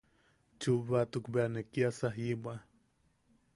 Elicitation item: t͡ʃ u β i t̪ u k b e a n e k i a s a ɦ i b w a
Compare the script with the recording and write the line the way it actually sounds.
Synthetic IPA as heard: t͡ʃ u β a t̪ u k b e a n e k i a s a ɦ i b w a